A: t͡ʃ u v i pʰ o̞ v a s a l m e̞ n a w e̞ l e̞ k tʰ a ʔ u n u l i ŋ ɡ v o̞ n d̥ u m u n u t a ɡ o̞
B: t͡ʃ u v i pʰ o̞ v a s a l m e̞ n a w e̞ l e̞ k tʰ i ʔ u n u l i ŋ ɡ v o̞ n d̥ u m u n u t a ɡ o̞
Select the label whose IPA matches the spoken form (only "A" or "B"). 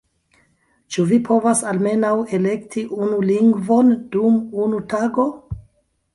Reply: B